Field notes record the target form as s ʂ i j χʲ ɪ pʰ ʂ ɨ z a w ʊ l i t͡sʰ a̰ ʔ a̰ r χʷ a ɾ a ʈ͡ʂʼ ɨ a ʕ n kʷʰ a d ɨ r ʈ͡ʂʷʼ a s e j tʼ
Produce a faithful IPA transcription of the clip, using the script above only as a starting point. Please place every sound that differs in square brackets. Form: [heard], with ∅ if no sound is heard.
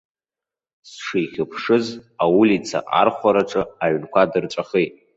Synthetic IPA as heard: s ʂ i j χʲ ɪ pʰ ʂ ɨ z a w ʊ l i t͡sʰ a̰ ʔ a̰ r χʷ a ɾ a ʈ͡ʂʼ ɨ a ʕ n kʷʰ a d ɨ r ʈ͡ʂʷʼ a [χ] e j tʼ